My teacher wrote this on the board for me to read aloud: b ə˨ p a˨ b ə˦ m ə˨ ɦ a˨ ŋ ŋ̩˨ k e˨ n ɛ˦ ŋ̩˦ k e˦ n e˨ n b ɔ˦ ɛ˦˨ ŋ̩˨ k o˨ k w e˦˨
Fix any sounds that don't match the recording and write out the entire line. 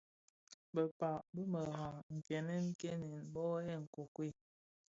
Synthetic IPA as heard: b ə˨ p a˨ b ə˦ m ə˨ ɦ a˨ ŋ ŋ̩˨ k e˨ n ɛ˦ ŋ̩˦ k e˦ n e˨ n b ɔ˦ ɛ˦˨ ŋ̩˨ k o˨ k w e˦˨